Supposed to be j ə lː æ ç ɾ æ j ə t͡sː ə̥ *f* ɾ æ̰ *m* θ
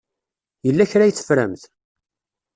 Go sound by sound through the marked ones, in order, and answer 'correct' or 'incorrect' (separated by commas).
correct, correct